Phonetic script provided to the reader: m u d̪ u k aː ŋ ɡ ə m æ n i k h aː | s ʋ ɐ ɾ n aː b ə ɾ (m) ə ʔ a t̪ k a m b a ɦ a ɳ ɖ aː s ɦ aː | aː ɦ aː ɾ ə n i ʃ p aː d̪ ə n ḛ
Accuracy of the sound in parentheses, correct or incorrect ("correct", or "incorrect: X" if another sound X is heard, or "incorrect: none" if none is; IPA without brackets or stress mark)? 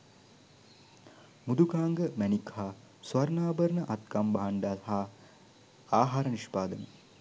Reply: incorrect: n